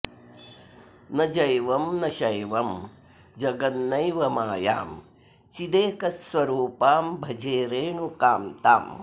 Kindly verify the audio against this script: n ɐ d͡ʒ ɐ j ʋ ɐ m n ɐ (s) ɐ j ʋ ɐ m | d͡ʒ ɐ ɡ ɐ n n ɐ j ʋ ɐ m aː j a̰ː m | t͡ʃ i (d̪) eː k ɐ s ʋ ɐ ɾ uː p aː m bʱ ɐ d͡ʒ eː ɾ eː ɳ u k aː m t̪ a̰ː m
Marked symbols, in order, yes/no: no, yes

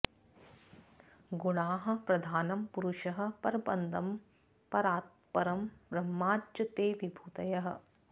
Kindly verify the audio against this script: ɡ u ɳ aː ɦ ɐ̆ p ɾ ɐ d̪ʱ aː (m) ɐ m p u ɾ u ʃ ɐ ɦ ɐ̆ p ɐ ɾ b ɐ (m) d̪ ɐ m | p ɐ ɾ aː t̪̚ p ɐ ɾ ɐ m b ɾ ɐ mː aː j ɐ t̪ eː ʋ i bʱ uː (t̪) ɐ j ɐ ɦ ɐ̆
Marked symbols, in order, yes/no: no, no, yes

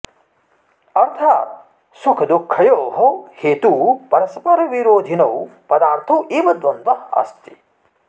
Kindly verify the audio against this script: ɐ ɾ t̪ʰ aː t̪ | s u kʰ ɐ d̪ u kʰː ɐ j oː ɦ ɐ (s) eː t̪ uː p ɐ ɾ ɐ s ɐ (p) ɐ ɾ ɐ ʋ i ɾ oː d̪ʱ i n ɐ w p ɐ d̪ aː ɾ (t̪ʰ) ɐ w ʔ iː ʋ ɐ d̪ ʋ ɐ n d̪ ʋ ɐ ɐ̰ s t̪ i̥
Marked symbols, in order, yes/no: no, yes, yes

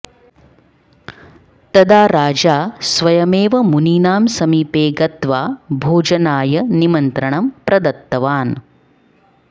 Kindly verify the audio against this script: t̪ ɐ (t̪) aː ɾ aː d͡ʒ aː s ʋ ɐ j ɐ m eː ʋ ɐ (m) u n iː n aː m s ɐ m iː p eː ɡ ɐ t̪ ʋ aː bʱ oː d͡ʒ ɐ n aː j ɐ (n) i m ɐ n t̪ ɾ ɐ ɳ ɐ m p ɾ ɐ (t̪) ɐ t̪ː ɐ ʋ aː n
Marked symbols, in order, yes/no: no, yes, yes, no

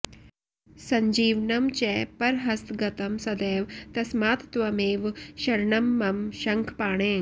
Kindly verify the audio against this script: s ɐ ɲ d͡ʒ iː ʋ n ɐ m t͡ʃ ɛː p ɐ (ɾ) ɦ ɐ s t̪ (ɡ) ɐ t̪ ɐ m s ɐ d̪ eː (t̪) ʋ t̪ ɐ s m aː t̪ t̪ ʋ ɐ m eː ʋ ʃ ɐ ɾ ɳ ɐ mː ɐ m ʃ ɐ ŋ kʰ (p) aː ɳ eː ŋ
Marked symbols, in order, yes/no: yes, yes, no, yes

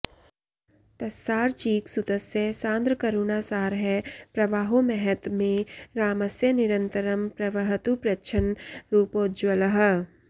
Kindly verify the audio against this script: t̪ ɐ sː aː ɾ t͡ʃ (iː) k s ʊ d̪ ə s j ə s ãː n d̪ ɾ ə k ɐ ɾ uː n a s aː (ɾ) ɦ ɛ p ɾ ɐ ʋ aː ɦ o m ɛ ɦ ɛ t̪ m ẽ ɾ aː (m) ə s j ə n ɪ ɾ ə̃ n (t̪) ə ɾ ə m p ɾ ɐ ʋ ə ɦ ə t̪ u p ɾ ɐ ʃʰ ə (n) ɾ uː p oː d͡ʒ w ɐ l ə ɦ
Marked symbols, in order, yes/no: yes, yes, yes, yes, yes

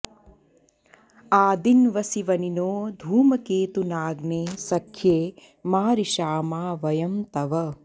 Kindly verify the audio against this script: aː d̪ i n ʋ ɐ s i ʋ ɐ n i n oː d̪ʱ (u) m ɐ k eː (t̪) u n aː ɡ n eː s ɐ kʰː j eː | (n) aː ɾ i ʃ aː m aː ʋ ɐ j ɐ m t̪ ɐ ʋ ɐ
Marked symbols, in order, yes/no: no, yes, no

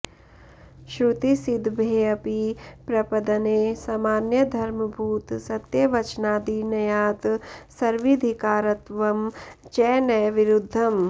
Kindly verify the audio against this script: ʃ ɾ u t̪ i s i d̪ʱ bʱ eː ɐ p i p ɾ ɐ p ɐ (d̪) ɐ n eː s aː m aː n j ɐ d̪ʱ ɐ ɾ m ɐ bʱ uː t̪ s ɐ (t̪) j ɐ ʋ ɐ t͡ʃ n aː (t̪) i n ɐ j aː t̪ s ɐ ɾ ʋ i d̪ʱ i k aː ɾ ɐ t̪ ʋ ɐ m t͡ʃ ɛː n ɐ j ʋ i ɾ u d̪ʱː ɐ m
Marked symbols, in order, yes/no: yes, yes, no

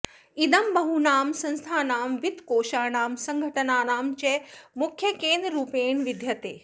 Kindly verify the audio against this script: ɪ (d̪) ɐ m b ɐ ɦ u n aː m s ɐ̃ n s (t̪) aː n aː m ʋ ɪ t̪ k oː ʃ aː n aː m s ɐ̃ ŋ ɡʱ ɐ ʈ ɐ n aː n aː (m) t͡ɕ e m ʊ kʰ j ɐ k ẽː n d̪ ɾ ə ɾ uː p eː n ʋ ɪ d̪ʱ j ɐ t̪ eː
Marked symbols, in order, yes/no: yes, no, yes

